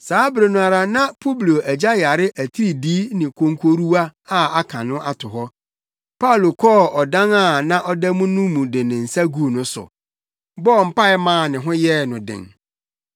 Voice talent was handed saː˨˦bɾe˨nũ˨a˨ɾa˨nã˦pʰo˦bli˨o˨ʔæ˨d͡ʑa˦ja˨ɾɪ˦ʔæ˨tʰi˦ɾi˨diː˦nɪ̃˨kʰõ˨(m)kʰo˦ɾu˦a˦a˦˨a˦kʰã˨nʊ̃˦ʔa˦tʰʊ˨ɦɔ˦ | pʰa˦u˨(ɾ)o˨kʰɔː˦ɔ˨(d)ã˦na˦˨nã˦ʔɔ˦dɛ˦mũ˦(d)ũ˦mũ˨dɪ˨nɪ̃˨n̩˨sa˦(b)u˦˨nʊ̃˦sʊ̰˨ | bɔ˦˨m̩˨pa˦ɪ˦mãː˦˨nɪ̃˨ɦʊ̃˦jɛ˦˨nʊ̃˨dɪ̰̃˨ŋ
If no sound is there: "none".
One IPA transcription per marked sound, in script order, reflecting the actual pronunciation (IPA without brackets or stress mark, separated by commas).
ŋ, l, d, n, ɡ